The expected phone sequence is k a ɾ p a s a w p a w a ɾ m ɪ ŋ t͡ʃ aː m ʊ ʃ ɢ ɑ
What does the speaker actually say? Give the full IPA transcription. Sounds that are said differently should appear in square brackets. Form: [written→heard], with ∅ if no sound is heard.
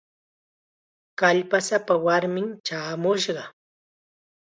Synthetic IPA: k a [ɾ→ʎ] p a s a [w→∅] p a w a ɾ m ɪ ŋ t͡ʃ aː m ʊ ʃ ɢ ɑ